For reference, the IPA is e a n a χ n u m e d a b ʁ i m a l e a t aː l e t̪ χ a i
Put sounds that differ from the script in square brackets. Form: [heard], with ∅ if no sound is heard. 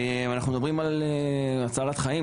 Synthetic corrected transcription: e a n a χ n u m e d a b ʁ i m a l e a [t͡s] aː l [a] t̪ χ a i